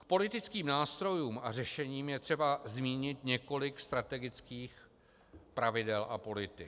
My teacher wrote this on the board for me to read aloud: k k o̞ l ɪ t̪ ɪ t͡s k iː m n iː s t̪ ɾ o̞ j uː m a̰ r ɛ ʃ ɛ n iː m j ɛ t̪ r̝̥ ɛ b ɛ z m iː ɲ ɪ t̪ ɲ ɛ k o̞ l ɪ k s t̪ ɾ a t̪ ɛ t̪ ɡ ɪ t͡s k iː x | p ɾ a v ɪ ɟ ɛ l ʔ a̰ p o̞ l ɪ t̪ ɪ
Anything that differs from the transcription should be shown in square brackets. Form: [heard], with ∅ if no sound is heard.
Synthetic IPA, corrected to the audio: k [p] o̞ l ɪ t̪ ɪ t͡s k iː m n [aː] s t̪ ɾ o̞ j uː m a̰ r ɛ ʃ ɛ [ɲ] iː m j ɛ t̪ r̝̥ ɛ b [a] z m iː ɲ ɪ t̪ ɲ ɛ k o̞ l ɪ k s t̪ ɾ a t̪ ɛ [∅] ɡ ɪ t͡s k iː x | p ɾ a v ɪ [d] ɛ l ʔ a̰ p o̞ l ɪ t̪ ɪ